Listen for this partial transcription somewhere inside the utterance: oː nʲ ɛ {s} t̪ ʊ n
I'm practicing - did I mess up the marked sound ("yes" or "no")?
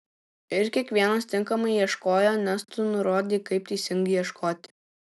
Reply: no